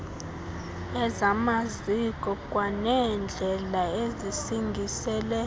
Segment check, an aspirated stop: absent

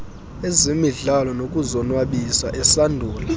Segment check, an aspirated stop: absent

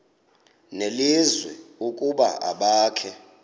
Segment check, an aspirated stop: present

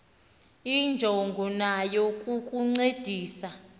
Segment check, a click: present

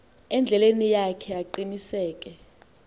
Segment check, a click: present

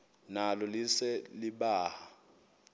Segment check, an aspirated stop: absent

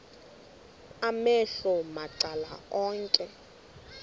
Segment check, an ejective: present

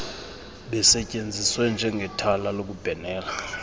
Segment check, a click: absent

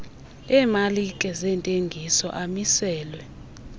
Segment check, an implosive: absent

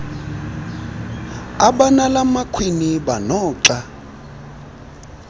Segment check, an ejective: absent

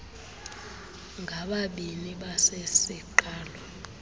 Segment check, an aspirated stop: absent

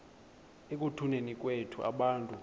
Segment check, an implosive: present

